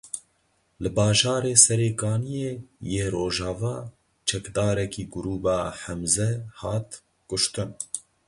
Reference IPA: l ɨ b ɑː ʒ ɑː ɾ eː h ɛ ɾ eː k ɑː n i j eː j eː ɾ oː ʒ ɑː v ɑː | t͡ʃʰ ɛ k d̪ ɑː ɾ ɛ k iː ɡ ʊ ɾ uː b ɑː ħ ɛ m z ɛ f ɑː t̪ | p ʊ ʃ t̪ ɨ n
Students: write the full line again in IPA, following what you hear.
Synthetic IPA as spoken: l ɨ b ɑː ʒ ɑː ɾ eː s ɛ ɾ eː k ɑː n i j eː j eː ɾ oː ʒ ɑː v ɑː | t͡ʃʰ ɛ k d̪ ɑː ɾ ɛ k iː ɡ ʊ ɾ uː b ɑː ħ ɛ m z ɛ h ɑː t̪ | k ʊ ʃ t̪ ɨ n